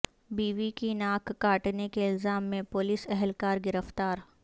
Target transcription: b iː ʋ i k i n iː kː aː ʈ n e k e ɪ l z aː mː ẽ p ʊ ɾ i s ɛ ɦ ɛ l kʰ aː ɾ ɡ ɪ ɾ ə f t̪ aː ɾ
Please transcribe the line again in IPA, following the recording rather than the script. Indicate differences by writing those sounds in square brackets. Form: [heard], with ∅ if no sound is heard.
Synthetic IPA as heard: b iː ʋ i k i n [aː] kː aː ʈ n e k e ɪ l z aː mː ẽ p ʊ [l] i s ɛ ɦ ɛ l [k] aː ɾ ɡ ɪ ɾ ə f t̪ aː ɾ